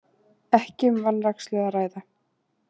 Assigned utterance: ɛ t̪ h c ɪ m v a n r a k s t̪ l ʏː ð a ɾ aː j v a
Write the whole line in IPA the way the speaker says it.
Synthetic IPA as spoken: ɛ h c ɪ m v a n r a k s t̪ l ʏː ð a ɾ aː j ð a